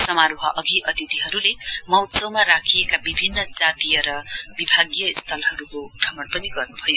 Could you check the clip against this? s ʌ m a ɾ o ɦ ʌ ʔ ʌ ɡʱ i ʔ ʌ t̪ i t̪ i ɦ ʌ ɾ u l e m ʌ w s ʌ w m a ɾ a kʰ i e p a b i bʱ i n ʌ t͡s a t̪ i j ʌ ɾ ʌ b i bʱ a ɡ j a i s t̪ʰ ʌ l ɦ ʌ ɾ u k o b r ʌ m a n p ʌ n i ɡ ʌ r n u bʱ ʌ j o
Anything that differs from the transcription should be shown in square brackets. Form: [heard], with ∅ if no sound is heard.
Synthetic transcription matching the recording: s ʌ m a ɾ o ɦ ʌ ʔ ʌ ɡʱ i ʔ ʌ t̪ i t̪ i ɦ ʌ ɾ u l e m ʌ w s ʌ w m a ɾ a kʰ i e [k] a b i bʱ i [nː] ʌ t͡s a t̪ i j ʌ ɾ ʌ b i bʱ a ɡ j [ʌ] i s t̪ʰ ʌ l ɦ ʌ ɾ u k o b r ʌ m [ʌ] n p ʌ n i ɡ ʌ r n u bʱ ʌ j o